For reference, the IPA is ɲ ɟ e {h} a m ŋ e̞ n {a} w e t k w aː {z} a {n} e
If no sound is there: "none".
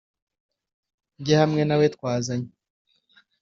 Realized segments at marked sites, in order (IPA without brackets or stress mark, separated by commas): h, a, z, ɲ